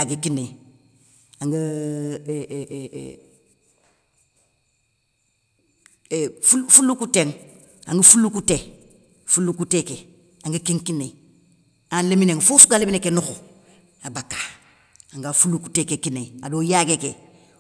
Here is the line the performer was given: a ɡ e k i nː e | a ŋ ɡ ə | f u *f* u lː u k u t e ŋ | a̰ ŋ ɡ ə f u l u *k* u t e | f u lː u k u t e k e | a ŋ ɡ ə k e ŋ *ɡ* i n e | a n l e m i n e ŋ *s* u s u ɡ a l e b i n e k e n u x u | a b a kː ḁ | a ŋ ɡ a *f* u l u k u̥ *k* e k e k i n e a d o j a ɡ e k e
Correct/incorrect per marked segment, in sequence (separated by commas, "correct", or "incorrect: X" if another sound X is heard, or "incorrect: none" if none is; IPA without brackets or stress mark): correct, correct, incorrect: k, incorrect: f, correct, incorrect: t